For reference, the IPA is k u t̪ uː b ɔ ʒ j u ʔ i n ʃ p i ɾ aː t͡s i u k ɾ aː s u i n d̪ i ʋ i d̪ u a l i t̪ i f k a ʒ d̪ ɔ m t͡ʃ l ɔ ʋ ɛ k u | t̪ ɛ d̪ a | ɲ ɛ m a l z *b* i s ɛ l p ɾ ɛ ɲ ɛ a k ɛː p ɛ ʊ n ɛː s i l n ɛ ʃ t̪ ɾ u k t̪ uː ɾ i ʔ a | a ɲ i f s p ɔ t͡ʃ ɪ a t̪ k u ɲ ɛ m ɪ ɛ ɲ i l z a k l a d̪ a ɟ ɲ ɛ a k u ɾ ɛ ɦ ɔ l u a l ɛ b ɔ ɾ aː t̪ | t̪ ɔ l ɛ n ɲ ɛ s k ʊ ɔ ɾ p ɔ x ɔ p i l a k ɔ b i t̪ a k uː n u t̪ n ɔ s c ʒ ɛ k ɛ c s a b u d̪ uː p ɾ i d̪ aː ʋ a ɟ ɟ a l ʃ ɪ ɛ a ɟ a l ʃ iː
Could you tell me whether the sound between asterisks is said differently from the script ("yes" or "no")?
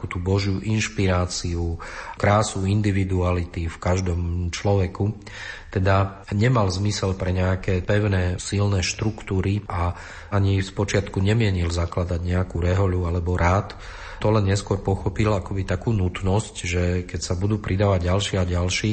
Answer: yes